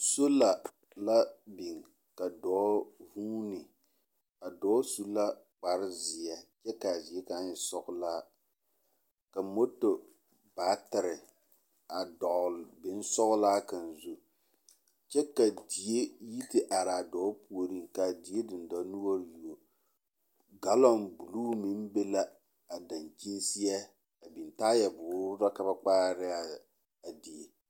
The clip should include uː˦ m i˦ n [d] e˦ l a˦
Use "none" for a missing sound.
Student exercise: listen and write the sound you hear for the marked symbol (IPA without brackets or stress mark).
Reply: b